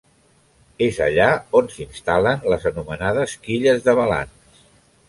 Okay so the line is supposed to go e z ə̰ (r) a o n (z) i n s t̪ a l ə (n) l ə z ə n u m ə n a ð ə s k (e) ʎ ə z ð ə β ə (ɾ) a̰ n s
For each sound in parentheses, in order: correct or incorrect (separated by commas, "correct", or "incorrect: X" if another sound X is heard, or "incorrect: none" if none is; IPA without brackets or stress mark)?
incorrect: ʎ, incorrect: s, correct, incorrect: i, incorrect: l